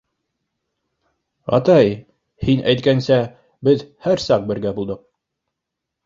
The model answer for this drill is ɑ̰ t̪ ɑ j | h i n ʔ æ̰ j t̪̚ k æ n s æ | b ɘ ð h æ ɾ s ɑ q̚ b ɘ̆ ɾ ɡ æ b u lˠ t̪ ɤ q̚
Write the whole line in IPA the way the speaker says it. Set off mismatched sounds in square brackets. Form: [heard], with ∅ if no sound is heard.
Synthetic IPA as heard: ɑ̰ t̪ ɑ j | h i n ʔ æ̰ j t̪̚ k æ n s æ | b ɘ ð h æ ɾ s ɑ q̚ b ɘ̆ ɾ ɡ æ b u lˠ [d̪] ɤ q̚